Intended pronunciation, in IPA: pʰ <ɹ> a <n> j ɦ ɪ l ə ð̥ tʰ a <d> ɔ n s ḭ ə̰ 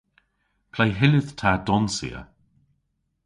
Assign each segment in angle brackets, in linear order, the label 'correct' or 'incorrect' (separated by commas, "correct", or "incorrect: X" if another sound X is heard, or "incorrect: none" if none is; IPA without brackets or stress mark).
incorrect: l, incorrect: none, correct